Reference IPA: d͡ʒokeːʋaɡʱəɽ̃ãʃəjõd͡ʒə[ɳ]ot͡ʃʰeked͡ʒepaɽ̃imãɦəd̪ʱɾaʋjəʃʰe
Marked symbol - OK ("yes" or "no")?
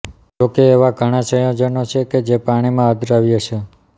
no